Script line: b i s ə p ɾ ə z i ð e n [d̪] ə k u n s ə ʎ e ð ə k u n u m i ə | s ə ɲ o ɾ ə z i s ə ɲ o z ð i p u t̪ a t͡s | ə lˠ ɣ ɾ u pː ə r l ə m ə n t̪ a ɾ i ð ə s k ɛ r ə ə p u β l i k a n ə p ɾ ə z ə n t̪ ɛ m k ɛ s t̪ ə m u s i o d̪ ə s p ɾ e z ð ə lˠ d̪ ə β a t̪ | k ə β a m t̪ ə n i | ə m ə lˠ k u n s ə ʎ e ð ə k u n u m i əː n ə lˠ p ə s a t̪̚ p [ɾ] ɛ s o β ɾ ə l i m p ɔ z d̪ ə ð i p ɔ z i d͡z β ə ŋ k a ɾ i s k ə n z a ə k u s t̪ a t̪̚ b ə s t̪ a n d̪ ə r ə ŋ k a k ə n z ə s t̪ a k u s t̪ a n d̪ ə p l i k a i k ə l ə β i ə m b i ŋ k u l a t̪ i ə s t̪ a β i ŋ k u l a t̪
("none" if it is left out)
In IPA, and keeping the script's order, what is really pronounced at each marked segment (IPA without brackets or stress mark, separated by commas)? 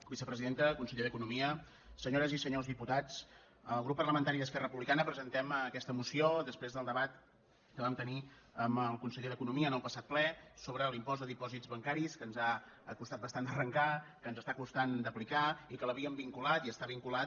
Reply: t̪, l